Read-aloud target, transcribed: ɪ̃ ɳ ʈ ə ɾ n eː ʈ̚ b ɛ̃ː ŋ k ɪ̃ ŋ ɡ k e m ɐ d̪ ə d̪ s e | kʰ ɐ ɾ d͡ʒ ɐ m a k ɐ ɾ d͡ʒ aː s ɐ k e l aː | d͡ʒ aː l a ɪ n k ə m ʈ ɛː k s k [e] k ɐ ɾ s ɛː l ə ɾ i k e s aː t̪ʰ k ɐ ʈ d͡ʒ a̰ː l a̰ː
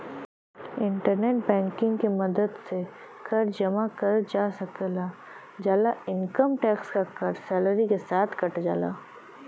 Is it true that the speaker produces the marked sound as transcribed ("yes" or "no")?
no